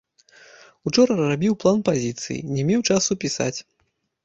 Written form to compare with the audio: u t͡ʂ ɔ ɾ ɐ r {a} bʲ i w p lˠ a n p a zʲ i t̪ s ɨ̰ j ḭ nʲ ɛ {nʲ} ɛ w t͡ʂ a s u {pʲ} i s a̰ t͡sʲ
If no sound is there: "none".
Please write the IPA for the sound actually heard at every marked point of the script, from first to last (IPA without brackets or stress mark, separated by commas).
a, mʲ, pʲ